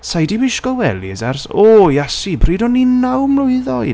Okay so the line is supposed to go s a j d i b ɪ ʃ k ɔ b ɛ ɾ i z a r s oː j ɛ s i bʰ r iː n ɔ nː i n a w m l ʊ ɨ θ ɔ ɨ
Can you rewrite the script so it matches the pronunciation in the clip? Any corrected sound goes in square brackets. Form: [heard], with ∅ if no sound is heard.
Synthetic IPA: s a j d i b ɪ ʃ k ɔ [w] ɛ [l] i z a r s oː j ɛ s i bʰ r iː [d] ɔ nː i n a w m l ʊ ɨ [ð] ɔ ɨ